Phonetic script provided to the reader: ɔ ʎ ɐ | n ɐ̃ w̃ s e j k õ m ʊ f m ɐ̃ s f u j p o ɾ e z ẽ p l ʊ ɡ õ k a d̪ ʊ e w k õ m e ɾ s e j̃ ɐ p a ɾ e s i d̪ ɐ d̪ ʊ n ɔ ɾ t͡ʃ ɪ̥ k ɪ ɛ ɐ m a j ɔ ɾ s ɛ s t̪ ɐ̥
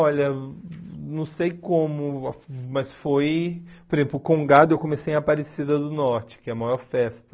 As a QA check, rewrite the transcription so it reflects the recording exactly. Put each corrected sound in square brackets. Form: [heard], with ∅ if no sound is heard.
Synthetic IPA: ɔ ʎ ɐ | n ɐ̃ w̃ s e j k õ m ʊ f m [ɐ] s f [o] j p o ɾ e z ẽ p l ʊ [k] õ [ɡ] a d̪ ʊ e w k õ m e [∅] s e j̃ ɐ p a ɾ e s i d̪ ɐ d̪ ʊ n ɔ ɾ t͡ʃ ɪ̥ k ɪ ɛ ɐ m a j ɔ ɾ [f] ɛ s t̪ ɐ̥